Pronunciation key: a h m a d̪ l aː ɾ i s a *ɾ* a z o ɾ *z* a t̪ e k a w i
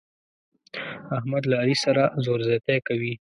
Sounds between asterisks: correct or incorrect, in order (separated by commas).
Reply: correct, correct